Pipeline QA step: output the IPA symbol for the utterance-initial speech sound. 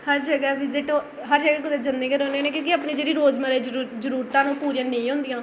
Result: h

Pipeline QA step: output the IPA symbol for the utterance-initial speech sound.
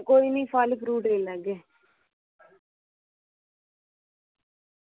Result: k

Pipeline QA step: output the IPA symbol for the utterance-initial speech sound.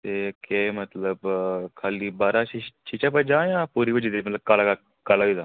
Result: t̪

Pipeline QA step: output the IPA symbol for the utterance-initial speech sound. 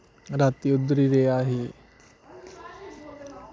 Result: ɾ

